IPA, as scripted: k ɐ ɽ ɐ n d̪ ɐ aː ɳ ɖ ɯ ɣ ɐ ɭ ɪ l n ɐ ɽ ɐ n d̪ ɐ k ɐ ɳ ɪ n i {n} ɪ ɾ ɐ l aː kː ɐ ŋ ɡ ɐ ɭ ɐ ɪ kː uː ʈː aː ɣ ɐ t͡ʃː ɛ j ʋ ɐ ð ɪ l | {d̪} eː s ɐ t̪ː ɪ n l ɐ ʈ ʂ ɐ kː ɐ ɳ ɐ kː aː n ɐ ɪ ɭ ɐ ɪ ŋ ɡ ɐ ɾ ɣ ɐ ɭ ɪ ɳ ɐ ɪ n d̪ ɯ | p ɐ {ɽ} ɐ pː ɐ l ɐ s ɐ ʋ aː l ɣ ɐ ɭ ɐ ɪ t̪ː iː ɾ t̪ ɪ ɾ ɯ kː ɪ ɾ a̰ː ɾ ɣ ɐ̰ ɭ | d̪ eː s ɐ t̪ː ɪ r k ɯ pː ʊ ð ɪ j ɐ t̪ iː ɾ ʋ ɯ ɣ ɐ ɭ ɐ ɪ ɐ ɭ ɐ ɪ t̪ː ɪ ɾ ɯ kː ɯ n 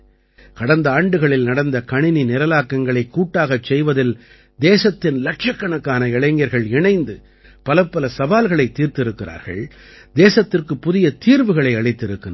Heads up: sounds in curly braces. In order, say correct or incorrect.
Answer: correct, correct, incorrect

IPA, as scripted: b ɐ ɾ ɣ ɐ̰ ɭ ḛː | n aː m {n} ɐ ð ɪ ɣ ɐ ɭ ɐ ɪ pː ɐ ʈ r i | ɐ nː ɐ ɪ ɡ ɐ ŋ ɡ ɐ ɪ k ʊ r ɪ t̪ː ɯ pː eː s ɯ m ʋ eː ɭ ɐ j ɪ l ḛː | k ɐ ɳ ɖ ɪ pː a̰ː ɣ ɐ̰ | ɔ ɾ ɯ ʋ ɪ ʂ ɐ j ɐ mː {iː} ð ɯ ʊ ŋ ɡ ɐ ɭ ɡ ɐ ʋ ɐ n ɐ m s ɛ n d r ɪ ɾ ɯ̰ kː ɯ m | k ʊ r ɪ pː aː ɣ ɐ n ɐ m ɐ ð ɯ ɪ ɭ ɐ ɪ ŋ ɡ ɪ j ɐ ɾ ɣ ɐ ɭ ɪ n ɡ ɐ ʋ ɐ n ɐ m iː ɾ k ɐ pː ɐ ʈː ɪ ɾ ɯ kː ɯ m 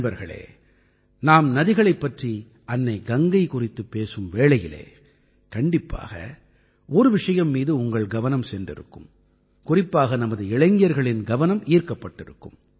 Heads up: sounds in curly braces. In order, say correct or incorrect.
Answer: correct, correct

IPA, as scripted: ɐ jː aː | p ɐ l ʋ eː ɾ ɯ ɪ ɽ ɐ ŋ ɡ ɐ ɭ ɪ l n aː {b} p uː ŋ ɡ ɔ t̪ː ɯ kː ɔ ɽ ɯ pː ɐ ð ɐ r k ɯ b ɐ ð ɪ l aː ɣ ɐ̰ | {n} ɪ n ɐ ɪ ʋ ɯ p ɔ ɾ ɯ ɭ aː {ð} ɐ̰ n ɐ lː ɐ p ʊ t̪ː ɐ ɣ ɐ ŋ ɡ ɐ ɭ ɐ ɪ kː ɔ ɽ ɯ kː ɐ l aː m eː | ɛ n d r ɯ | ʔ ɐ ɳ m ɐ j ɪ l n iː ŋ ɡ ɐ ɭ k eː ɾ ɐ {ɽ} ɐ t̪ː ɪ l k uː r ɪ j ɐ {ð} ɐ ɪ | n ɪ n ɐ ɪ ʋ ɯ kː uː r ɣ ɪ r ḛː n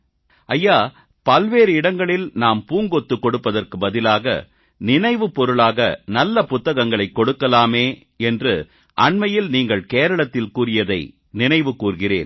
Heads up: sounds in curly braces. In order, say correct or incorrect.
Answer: incorrect, correct, incorrect, incorrect, correct

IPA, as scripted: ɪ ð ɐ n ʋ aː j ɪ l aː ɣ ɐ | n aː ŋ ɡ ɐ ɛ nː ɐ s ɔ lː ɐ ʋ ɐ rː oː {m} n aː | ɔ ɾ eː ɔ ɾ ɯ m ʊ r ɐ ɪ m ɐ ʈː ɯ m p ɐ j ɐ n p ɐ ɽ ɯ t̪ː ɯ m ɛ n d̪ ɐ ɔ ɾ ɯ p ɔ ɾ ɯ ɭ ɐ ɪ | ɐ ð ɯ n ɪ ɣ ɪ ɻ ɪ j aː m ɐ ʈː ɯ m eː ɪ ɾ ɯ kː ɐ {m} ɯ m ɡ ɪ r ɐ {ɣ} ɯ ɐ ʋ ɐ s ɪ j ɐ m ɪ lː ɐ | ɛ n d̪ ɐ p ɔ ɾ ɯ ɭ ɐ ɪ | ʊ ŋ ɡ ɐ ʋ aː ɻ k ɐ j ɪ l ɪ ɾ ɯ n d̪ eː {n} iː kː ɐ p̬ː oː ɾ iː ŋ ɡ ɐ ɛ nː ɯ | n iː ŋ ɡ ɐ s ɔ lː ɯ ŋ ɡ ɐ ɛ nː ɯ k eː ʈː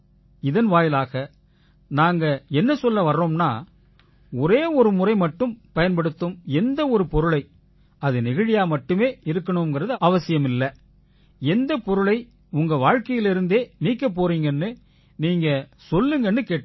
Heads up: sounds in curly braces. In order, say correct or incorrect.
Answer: correct, incorrect, incorrect, correct

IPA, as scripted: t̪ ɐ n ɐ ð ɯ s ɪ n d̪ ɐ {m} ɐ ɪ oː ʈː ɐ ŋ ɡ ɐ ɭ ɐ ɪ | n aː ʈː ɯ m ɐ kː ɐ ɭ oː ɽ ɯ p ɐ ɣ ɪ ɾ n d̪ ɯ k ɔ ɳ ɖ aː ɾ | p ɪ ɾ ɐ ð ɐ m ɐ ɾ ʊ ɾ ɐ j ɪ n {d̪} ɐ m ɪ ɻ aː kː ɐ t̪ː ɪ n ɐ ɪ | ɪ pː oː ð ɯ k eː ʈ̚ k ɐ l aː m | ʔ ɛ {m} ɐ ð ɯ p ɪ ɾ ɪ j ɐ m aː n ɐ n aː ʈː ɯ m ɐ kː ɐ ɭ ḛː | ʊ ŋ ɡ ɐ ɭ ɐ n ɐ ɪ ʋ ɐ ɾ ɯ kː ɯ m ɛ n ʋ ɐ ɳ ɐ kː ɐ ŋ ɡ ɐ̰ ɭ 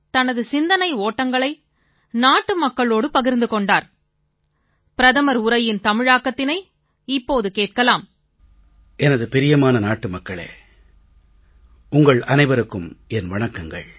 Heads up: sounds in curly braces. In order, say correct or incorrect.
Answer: incorrect, incorrect, incorrect

